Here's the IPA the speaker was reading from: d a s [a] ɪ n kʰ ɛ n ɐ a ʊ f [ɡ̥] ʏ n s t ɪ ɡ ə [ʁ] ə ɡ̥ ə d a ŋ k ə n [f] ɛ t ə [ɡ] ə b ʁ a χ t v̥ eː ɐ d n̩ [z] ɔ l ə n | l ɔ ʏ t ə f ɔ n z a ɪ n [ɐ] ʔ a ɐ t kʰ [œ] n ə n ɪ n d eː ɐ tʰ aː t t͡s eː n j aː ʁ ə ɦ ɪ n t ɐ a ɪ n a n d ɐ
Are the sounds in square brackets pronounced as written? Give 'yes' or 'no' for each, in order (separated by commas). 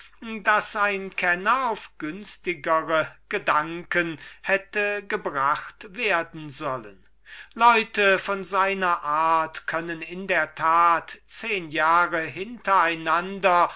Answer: yes, yes, yes, no, yes, yes, yes, yes